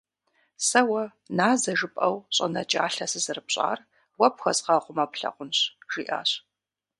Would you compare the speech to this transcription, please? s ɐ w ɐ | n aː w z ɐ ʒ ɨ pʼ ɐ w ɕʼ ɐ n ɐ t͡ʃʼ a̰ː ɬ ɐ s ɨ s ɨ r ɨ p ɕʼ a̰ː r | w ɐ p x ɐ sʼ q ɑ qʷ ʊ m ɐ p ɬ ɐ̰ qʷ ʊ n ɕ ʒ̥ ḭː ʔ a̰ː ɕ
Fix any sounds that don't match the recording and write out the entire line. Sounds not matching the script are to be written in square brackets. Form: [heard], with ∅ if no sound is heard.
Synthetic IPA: s ɐ w ɐ | n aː [∅] z ɐ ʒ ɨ pʼ ɐ w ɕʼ ɐ n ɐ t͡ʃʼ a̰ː ɬ ɐ s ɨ [z] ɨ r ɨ p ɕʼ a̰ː r | w ɐ p x ɐ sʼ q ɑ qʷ ʊ m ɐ p ɬ ɐ̰ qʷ ʊ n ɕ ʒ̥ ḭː ʔ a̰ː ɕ

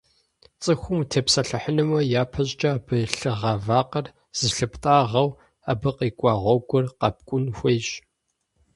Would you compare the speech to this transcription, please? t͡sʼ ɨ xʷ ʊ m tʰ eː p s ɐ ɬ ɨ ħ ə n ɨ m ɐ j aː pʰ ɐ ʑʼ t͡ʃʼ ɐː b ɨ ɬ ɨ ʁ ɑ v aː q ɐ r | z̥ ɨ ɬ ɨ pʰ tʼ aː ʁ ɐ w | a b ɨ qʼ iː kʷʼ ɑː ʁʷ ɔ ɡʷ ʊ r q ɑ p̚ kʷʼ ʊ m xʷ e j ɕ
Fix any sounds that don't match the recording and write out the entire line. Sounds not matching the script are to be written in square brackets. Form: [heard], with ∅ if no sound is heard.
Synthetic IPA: t͡sʼ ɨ xʷ ʊ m tʰ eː p s ɐ ɬ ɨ ħ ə n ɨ m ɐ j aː pʰ ɐ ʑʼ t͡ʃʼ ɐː b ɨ ɬ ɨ ʁ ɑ v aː q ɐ r | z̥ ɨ ɬ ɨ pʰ tʼ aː ʁ ɐ w | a b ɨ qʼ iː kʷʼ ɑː ʁʷ ɔ ɡʷ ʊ r q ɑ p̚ kʷʼ ʊ [n] xʷ e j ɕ

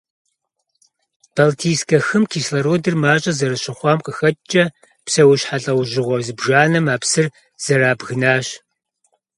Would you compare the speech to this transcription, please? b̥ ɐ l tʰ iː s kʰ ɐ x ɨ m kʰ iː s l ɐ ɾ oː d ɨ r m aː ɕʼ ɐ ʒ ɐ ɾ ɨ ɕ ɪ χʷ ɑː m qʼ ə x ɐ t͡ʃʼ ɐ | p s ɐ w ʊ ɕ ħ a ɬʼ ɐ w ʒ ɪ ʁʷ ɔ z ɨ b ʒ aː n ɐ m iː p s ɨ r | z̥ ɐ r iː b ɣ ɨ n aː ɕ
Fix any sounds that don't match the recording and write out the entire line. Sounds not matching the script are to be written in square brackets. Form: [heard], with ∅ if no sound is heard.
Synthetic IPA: b̥ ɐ l tʰ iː s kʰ ɐ x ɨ m kʰ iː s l ɐ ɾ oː d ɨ r m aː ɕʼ ɐ [z] ɐ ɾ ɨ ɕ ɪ χʷ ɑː m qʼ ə x ɐ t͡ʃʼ ɐ | p s ɐ w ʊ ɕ ħ a ɬʼ ɐ w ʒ ɪ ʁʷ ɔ z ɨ b ʒ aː n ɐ m [aː] p s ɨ r | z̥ ɐ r [aː] b ɣ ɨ n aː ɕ

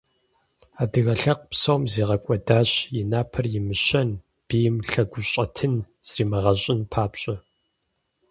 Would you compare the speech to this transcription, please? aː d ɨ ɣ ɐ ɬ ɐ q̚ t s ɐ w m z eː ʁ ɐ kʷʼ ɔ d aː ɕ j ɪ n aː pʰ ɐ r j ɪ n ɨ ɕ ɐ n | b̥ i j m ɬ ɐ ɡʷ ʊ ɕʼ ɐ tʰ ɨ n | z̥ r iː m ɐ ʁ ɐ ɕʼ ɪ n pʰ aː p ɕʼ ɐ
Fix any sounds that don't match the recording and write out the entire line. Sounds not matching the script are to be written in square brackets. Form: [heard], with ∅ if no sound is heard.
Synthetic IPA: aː d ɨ ɣ ɐ ɬ ɐ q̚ [p] s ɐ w m z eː ʁ ɐ kʷʼ ɔ d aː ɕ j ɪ n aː pʰ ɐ r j ɪ [m] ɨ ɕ ɐ n | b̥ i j m ɬ ɐ ɡʷ ʊ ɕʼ ɐ tʰ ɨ n | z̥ r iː m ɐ ʁ ɐ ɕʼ ɪ n pʰ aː p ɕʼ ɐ

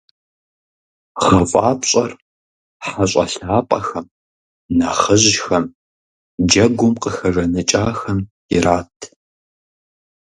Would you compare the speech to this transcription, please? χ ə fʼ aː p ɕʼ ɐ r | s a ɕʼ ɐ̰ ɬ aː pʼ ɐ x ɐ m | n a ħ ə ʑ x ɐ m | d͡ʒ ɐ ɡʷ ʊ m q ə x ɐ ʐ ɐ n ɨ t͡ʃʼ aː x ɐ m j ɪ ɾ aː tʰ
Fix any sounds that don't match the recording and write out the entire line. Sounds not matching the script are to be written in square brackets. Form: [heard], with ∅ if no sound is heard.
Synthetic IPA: χ [ɐ] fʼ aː p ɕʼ ɐ r | [ħ] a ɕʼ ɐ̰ ɬ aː pʼ ɐ x ɐ m | n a [χ] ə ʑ x ɐ m | d͡ʒ ɐ ɡʷ ʊ m q ə x ɐ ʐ ɐ n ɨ t͡ʃʼ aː x ɐ m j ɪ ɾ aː tʰ

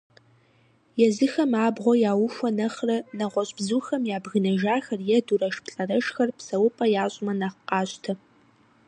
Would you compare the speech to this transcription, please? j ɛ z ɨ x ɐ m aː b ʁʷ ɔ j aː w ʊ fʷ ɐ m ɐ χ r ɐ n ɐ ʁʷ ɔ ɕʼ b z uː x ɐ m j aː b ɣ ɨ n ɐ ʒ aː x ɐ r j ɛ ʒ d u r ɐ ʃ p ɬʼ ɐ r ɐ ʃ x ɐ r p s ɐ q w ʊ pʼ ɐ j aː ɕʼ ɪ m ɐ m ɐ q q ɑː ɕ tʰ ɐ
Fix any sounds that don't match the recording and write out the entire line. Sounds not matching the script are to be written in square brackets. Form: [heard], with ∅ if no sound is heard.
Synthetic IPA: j ɛ z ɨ x ɐ m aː b ʁʷ ɔ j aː w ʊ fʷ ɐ [n] ɐ χ r ɐ n ɐ ʁʷ ɔ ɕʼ b z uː x ɐ m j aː b ɣ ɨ n ɐ ʒ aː x ɐ r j ɛ [∅] d u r ɐ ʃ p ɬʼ ɐ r ɐ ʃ x ɐ r p s ɐ [∅] w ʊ pʼ ɐ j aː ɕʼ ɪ m ɐ [n] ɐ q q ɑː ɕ tʰ ɐ

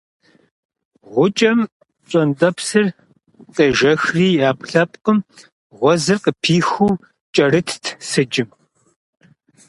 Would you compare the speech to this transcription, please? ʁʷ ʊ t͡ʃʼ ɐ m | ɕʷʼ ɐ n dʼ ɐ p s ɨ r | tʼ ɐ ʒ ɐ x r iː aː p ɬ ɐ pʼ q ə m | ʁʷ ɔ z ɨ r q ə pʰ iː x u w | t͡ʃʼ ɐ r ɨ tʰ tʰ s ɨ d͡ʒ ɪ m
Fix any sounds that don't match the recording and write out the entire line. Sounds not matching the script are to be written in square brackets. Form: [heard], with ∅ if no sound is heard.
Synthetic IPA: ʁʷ ʊ t͡ʃʼ ɐ m | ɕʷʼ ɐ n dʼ ɐ p s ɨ r | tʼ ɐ ʒ ɐ x r iː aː p ɬ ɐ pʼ q ə m | ʁʷ ɔ z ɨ r q ə pʰ iː x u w | t͡ʃʼ ɐ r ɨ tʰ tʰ s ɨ d͡ʒ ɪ m

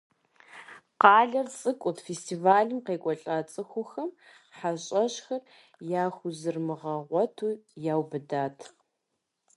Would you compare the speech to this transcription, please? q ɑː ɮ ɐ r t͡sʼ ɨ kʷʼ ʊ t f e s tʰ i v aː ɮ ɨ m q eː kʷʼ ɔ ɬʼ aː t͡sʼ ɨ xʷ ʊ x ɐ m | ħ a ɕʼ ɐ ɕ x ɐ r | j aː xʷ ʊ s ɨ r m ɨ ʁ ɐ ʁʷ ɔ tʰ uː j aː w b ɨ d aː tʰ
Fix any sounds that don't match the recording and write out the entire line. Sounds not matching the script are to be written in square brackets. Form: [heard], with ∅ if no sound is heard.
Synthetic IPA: q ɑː ɮ ɐ r t͡sʼ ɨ kʷʼ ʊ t f e s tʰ i v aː ɮ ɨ m q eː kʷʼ ɔ ɬʼ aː t͡sʼ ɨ xʷ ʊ x ɐ m | ħ a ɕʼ ɐ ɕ x ɐ r | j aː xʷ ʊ [z] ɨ r m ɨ ʁ ɐ ʁʷ ɔ tʰ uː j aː w b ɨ d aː tʰ

